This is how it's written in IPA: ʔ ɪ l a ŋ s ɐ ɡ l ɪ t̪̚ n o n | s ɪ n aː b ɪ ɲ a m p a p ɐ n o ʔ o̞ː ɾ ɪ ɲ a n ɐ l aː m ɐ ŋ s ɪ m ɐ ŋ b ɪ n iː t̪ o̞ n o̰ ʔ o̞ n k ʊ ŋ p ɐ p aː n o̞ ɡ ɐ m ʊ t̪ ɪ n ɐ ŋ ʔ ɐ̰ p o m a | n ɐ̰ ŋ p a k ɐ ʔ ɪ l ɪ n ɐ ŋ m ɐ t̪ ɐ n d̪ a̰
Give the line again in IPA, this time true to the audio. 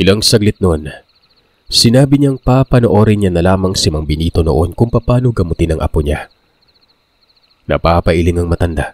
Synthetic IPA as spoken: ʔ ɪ l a ŋ s ɐ ɡ l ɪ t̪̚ n o n | s ɪ n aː b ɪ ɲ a ŋ p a p ɐ n o ʔ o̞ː ɾ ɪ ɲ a n ɐ l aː m ɐ ŋ s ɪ m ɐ ŋ b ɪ n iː t̪ o̞ n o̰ ʔ o̞ n k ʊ ŋ p ɐ p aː n o̞ ɡ ɐ m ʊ t̪ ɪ n ɐ ŋ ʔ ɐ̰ p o ɲ a | n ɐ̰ p a p ɐ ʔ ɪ l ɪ ŋ ɐ ŋ m ɐ t̪ ɐ n d̪ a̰